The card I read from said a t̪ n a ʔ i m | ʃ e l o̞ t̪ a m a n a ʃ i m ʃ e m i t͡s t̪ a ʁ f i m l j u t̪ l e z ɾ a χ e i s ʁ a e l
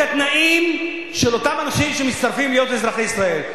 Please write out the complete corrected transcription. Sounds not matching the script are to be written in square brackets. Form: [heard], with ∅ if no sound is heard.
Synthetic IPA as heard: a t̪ n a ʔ i m | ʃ e l o̞ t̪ a m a n a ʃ i m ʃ e m i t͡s t̪ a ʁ f i m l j [o] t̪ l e z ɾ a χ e i s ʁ a e l